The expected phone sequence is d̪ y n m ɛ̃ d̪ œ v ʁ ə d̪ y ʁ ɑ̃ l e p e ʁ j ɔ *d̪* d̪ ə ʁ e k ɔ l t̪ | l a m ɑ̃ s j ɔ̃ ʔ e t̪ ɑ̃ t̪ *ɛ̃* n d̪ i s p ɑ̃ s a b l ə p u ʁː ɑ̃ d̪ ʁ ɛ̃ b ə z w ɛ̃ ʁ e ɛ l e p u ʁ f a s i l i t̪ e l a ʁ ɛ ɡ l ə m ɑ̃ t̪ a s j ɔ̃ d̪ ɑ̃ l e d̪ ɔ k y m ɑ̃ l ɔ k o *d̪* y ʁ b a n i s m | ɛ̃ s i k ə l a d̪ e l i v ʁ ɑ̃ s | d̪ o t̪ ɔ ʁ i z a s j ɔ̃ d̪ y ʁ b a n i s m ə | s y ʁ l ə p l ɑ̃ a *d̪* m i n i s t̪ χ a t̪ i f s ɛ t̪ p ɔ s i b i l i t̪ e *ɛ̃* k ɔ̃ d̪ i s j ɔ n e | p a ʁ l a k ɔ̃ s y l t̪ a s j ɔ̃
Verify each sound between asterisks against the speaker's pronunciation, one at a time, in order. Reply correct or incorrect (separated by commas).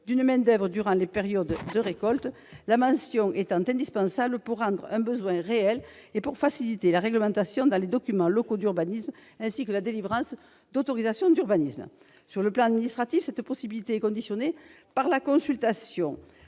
correct, correct, correct, correct, incorrect